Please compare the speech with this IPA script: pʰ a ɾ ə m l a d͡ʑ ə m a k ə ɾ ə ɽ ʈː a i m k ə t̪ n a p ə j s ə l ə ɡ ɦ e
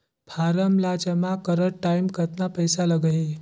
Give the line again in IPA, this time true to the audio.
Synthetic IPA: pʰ a ɾ ə m l a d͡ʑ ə m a k ə ɾ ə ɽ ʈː a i m k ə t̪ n a p ə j s a l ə ɡ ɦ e